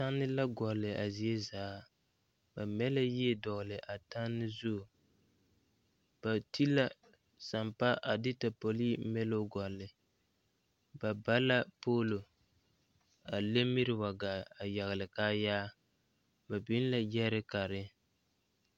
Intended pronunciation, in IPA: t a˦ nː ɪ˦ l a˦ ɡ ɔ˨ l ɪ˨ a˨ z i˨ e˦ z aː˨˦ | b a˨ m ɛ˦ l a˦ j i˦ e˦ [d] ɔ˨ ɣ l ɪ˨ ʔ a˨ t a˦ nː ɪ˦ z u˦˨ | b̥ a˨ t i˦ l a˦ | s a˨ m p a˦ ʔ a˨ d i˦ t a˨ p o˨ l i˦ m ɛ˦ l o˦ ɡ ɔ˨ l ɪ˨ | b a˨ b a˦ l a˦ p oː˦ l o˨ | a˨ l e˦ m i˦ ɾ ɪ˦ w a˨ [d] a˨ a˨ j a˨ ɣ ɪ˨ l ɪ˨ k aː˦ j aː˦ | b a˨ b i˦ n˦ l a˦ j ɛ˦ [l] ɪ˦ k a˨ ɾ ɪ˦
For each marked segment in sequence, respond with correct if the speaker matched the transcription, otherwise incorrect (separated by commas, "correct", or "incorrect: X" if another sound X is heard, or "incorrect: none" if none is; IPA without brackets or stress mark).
correct, incorrect: ɡ, incorrect: ɾ